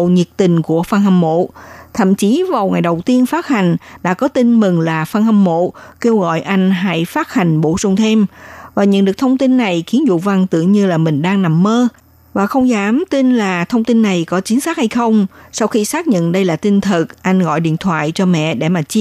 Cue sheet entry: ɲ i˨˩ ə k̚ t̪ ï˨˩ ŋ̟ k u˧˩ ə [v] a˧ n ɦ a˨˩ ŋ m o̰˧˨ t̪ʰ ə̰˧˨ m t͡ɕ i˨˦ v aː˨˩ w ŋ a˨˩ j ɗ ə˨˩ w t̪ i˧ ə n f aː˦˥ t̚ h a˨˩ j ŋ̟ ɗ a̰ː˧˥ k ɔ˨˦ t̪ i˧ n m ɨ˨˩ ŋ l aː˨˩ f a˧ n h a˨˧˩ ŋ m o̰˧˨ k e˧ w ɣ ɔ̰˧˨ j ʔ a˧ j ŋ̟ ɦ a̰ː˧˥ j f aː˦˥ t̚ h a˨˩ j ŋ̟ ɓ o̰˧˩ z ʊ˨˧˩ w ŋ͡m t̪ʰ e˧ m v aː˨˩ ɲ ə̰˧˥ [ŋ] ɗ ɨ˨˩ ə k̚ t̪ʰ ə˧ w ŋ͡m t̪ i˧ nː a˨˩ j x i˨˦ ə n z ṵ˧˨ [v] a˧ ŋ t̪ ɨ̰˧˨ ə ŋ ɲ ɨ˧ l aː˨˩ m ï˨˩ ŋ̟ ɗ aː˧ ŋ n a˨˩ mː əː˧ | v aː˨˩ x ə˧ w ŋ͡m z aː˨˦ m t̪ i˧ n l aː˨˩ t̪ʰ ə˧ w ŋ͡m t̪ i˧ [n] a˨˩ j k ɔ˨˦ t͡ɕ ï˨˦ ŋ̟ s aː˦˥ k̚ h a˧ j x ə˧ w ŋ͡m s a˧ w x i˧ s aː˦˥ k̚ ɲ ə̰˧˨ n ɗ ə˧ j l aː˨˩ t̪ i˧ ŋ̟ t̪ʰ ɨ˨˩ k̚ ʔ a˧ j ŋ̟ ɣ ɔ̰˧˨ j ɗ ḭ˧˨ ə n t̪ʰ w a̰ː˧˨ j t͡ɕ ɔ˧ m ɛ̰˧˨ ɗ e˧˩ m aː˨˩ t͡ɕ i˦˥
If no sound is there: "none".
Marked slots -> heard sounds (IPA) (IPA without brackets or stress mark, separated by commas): f, n, v, nː